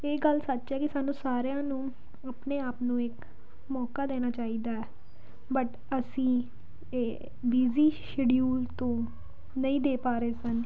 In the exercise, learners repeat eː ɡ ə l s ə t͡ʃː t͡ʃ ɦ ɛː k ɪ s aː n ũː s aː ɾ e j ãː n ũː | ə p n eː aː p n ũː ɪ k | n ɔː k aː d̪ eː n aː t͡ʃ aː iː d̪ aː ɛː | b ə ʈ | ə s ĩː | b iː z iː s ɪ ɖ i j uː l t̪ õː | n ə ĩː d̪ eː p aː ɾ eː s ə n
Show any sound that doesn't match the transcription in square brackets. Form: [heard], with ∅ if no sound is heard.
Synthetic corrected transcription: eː ɡ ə l s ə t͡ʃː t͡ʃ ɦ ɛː k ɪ s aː n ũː s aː ɾ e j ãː n ũː | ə p n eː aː p n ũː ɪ k | [m] ɔː k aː d̪ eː n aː t͡ʃ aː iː d̪ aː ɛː | b ə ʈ | ə s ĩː | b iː z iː [ʃ] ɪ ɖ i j uː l t̪ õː | n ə ĩː d̪ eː p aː ɾ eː s ə n